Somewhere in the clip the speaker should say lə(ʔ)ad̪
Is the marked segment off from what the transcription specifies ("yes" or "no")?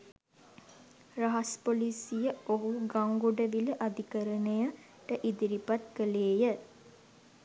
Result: no